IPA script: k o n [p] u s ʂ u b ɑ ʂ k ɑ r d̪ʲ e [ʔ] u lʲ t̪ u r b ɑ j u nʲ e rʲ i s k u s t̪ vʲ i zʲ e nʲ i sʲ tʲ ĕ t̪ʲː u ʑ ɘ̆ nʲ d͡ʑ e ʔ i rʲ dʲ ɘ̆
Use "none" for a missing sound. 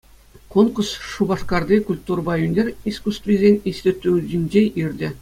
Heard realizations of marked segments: k, k

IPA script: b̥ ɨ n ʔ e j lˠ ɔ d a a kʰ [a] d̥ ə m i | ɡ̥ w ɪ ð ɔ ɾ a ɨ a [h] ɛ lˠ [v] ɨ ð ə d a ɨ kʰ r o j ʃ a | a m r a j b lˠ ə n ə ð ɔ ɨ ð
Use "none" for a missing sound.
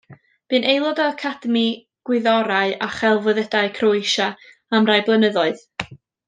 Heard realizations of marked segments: a, χ, v

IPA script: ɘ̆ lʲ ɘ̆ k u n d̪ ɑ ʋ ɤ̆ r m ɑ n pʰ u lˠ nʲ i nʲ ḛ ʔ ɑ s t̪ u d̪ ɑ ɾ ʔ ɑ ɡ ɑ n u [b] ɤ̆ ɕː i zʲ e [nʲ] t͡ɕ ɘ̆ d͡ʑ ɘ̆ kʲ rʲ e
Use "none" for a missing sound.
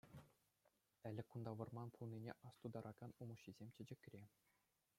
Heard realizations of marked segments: m, mʲ

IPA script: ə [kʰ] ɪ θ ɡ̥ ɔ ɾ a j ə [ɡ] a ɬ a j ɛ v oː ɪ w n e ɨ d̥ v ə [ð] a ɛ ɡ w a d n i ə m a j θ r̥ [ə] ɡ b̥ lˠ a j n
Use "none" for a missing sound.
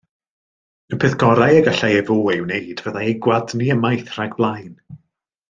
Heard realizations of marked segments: pʰ, ɡ, ð, a

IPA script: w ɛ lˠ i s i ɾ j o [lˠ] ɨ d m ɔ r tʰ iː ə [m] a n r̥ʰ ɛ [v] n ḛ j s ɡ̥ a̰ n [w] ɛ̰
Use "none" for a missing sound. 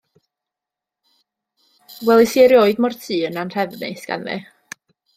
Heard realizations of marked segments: none, n, v, v

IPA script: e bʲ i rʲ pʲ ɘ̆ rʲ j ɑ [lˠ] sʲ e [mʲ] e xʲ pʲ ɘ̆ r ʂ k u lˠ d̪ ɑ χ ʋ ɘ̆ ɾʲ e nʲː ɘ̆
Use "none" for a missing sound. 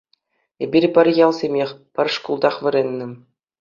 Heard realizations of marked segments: lˠ, mʲ

